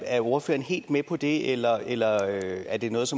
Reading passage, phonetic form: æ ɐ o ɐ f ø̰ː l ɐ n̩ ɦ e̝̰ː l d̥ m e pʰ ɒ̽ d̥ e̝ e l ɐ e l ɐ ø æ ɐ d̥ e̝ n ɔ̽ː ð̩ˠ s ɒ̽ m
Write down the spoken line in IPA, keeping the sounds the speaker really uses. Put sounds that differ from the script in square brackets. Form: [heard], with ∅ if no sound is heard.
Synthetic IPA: æ ɐ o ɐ f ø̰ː [∅] ɐ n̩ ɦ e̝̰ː l d̥ m e pʰ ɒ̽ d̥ e̝ e l ɐ e l ɐ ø æ ɐ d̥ e̝ n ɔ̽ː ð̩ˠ s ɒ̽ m